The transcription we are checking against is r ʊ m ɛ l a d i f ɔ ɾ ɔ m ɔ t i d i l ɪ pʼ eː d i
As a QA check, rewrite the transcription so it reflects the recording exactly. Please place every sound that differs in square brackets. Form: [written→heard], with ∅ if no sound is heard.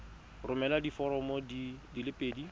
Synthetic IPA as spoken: r ʊ m ɛ l a d i f ɔ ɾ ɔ m ɔ [t→d] i d i l ɪ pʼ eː d i

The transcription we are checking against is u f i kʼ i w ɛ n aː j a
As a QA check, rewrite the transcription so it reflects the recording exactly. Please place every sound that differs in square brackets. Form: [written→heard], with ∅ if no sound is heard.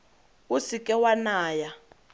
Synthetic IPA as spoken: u [f→s] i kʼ [i→ɛ] w [ɛ→a] n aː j a

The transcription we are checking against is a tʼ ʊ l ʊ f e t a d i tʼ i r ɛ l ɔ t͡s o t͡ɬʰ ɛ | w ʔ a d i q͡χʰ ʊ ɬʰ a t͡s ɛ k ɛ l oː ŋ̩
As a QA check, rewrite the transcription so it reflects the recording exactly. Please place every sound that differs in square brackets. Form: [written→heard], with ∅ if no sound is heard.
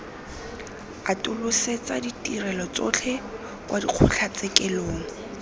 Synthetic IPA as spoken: a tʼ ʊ l ʊ [f→s] e [t→t͡s] a d i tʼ i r ɛ l ɔ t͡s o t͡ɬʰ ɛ | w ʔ a d i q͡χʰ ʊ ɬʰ a t͡s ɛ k ɛ l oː ŋ̩

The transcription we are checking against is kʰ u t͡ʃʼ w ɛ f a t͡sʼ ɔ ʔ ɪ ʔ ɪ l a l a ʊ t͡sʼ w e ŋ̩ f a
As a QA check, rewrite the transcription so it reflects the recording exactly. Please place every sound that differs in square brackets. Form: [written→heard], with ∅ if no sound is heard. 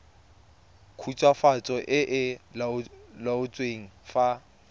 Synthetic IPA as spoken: kʰ u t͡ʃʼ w [ɛ→a] f a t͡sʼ ɔ ʔ ɪ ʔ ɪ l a l a ʊ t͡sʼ w e ŋ̩ f a

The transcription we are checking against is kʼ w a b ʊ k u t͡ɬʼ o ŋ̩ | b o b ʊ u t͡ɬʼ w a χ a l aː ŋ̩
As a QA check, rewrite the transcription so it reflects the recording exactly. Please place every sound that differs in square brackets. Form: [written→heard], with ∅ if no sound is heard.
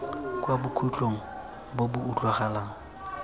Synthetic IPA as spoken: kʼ w a b ʊ [k→kʰ] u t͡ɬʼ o ŋ̩ | b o b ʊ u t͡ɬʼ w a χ a l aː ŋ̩

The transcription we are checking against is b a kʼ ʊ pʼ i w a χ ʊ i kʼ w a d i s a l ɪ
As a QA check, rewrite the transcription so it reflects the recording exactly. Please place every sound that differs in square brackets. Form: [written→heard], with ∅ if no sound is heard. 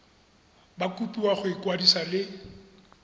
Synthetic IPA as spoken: b a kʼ [ʊ→u] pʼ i w a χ ʊ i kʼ w a d i s a l ɪ

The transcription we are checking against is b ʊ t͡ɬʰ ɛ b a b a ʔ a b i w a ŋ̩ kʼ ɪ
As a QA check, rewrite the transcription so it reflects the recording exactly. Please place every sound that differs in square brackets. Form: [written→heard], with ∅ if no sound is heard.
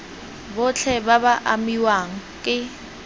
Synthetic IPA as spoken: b ʊ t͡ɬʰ ɛ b a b a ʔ a [b→m] i w a ŋ̩ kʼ ɪ

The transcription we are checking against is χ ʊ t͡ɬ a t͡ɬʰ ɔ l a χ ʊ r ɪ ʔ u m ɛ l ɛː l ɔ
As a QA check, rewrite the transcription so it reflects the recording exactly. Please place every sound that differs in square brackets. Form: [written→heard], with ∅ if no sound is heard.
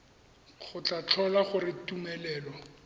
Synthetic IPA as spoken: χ ʊ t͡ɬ a t͡ɬʰ ɔ l a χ ʊ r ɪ [ʔ→t] u m ɛ l ɛː l ɔ

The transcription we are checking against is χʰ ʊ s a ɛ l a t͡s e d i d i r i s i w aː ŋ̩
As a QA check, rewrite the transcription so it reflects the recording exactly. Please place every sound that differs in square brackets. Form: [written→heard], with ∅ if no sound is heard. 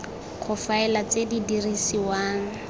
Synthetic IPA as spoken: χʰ ʊ [s→f] a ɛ l a t͡s e d i d i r i s i w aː ŋ̩

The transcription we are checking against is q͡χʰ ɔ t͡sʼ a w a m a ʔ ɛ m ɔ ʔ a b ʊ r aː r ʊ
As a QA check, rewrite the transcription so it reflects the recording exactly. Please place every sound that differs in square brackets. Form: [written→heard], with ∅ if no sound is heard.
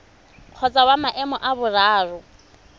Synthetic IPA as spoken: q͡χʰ ɔ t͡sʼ a w a m a ʔ ɛ m ɔ ʔ a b ʊ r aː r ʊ

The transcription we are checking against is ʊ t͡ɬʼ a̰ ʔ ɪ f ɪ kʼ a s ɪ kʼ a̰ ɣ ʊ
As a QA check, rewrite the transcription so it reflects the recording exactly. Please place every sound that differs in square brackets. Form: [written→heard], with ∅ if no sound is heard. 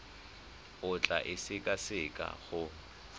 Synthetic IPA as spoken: ʊ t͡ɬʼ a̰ ʔ ɪ [f→s] ɪ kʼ a s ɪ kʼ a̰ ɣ ʊ

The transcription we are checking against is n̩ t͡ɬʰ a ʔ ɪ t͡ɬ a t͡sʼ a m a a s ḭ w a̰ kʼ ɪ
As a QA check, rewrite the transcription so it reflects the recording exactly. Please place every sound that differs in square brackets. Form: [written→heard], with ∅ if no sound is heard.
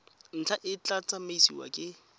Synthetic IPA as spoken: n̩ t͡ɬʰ a ʔ ɪ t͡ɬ a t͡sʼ a m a [a→i] s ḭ w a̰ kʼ ɪ

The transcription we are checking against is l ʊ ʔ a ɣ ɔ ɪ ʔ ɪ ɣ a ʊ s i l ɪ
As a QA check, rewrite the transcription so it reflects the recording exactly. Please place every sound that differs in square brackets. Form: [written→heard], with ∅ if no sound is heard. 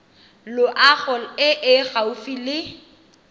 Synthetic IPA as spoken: l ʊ ʔ a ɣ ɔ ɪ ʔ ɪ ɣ a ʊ [s→f] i l ɪ

